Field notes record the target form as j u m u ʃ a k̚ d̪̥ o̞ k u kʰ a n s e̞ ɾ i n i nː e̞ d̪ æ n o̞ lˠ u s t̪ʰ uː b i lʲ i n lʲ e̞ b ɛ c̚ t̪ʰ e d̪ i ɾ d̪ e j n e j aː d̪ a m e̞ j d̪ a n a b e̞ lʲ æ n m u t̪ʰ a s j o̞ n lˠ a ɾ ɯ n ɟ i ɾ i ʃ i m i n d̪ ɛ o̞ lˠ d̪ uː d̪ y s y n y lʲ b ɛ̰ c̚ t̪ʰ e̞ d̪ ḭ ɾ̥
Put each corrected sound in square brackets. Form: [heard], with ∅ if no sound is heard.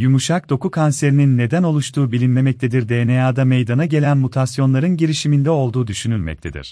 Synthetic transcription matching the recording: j u m u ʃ a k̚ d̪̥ o̞ k u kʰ a n s e̞ ɾ i n i nː e̞ d̪ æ n o̞ lˠ u [ʃ] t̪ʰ uː b i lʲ i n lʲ e̞ [m] ɛ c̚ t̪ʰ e d̪ i ɾ d̪ e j n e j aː d̪ a m e̞ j d̪ a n a [ɟ] e̞ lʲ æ n m u t̪ʰ a s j o̞ n lˠ a ɾ ɯ n ɟ i ɾ i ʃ i m i n d̪ ɛ o̞ lˠ d̪ uː d̪ y [ʃ] y n y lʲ [m] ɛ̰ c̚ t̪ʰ e̞ d̪ ḭ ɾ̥